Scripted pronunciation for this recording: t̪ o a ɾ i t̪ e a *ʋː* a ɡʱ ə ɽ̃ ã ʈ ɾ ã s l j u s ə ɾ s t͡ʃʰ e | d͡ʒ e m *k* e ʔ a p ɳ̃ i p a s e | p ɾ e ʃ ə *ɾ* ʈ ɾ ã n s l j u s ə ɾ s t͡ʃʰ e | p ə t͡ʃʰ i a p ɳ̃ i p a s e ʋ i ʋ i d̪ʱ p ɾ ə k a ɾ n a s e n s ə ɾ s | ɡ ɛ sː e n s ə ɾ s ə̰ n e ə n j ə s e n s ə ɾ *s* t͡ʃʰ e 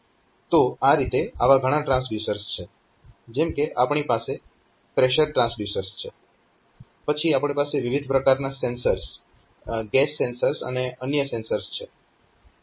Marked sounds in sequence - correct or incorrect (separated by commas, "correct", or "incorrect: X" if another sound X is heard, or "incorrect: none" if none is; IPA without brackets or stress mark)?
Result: incorrect: ʋ, correct, correct, correct